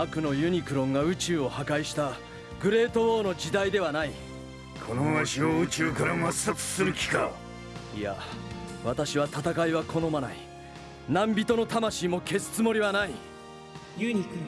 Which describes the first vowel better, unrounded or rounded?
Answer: unrounded